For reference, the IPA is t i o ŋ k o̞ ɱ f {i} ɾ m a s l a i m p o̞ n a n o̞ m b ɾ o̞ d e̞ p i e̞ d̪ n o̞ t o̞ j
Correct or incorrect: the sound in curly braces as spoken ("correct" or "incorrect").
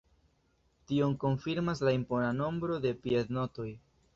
correct